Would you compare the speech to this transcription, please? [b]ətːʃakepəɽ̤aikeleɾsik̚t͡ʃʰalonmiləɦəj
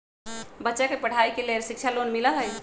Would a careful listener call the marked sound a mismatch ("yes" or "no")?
no